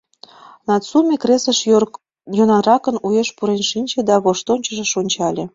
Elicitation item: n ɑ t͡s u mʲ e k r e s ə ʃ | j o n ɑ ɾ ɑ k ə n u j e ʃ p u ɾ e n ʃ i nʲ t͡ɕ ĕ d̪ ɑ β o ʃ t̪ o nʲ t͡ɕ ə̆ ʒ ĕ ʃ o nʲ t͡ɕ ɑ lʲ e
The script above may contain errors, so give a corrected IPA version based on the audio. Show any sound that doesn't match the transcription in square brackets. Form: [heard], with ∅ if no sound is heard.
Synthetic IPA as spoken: n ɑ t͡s u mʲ e k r e s ə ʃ | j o n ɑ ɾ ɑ k ə n u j e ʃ p u ɾ e n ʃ i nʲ t͡ɕ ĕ d̪ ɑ β o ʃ t̪ o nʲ t͡ɕ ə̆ ʒ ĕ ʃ o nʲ t͡ɕ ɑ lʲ e